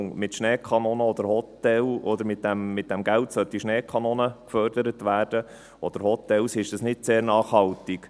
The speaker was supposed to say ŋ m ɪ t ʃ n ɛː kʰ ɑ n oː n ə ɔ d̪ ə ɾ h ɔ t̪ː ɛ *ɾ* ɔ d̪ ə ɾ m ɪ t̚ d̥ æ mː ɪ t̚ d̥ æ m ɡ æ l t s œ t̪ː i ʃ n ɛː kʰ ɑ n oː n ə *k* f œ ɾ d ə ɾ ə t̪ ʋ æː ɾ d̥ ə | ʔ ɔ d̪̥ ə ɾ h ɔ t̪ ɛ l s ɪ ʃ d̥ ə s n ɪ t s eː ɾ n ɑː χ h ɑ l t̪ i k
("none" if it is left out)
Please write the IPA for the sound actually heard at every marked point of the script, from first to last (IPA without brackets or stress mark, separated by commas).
l, k